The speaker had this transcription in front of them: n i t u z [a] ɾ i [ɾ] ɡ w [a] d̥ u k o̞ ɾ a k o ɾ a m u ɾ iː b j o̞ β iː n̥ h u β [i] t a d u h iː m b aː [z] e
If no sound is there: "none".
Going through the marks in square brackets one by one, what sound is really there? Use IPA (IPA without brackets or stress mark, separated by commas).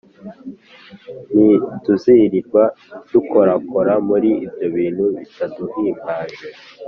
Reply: i, ɾ, a, i, ʒ